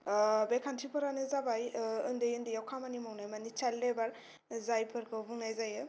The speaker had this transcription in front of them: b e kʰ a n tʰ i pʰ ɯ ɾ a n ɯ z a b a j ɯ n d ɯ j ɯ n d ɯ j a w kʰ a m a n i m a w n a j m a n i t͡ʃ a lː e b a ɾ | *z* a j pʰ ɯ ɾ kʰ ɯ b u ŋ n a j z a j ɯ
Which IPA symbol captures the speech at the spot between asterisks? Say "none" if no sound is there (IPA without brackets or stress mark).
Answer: z